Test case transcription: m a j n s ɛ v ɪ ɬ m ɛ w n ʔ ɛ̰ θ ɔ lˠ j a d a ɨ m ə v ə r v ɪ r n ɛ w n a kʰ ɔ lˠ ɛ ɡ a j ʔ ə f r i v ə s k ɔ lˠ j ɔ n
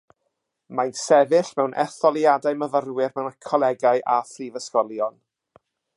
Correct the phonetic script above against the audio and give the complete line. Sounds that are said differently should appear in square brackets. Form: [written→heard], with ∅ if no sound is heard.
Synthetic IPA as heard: m a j n s ɛ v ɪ ɬ m ɛ w n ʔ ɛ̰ θ ɔ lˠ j a d a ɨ m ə v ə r [v→w] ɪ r [n→m] ɛ w n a kʰ ɔ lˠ ɛ ɡ a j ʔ [ə→a] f r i v ə s k ɔ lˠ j ɔ n